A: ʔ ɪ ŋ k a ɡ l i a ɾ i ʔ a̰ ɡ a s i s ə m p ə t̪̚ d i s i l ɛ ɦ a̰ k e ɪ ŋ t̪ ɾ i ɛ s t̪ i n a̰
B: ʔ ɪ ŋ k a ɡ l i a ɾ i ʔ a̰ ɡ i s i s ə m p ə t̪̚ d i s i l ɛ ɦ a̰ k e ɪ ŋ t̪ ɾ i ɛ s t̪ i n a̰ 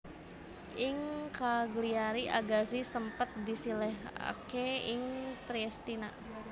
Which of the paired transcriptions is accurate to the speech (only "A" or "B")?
A